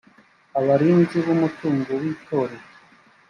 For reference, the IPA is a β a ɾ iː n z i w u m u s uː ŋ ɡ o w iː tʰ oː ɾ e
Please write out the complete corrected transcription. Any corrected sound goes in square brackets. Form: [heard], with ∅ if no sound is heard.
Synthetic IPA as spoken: a β a ɾ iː n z i [β] u m u [t] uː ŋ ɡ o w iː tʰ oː ɾ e